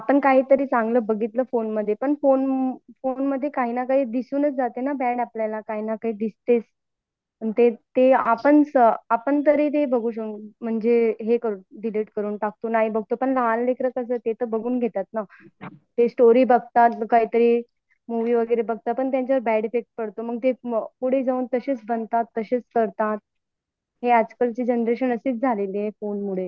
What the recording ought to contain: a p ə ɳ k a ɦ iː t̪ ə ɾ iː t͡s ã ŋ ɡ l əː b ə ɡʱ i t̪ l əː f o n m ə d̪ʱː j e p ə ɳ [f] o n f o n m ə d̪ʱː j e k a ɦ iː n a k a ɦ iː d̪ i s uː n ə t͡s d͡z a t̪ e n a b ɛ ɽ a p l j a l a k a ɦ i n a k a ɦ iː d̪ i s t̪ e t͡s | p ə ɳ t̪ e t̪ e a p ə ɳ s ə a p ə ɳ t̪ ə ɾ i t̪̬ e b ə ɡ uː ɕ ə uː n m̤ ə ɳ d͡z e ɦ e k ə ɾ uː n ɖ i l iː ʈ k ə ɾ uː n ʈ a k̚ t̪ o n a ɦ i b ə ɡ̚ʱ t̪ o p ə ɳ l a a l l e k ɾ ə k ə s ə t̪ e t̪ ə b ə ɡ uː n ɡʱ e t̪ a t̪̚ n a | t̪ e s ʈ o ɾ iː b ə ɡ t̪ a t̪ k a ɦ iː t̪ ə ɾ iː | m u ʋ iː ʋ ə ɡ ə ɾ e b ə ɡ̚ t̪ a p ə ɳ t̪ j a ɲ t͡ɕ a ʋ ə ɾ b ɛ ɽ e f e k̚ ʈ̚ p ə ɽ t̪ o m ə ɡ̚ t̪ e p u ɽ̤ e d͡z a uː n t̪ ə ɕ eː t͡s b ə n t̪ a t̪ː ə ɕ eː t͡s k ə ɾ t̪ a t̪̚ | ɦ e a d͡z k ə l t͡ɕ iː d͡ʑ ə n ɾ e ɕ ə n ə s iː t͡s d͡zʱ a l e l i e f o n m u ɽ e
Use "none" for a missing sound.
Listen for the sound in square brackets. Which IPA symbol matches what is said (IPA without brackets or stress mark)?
f